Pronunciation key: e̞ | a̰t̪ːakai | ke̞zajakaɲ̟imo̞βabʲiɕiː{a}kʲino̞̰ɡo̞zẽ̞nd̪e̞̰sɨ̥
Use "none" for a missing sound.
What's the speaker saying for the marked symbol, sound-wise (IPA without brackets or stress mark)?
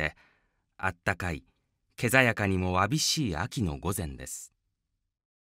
a